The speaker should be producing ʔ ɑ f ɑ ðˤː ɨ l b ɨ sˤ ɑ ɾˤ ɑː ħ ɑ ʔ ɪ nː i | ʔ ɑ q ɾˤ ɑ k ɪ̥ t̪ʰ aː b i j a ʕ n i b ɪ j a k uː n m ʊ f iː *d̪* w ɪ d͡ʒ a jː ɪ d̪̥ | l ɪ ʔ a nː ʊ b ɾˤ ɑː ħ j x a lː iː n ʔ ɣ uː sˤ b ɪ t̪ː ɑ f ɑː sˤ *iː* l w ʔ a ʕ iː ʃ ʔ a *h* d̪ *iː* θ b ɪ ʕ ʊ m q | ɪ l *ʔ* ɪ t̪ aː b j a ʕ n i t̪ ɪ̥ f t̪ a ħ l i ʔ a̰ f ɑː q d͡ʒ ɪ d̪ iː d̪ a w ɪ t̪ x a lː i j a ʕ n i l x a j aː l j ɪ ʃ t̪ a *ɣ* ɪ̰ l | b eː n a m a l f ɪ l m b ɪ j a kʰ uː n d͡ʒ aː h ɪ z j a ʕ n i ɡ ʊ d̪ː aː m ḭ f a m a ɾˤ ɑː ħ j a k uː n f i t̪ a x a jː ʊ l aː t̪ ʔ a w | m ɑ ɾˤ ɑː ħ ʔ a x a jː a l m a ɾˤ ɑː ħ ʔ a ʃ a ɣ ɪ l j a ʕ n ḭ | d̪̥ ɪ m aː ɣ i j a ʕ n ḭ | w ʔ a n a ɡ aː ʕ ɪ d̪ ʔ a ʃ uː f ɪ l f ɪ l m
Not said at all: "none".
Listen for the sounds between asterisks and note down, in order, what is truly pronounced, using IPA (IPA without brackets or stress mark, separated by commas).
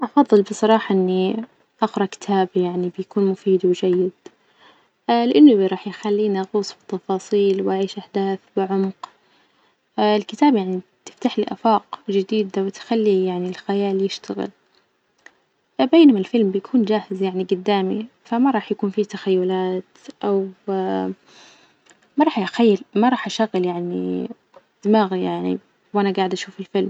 d̪, iː, ħ, aː, k, ɣ